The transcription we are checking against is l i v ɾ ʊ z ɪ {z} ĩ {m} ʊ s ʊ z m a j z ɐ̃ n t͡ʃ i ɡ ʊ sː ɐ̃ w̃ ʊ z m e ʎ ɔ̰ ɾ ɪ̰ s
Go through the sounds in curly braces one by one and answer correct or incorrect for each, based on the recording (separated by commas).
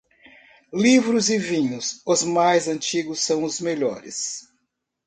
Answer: incorrect, incorrect